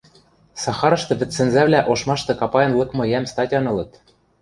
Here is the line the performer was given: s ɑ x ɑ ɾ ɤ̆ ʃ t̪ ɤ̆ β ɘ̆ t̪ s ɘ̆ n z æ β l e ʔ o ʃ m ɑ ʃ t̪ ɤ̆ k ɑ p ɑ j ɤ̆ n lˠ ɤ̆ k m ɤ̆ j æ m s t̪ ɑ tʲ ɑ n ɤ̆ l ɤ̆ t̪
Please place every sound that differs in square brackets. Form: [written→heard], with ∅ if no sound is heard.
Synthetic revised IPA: s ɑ x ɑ ɾ ɤ̆ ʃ t̪ ɤ̆ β ɘ̆ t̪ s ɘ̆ n z æ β l [e→æ] ʔ o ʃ m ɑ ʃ t̪ ɤ̆ k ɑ p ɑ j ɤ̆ n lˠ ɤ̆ k m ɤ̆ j æ m s t̪ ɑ tʲ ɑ n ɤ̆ l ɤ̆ t̪